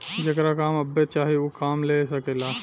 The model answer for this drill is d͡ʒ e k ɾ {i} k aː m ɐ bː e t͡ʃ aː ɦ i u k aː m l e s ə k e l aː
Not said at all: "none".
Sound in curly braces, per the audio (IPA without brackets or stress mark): a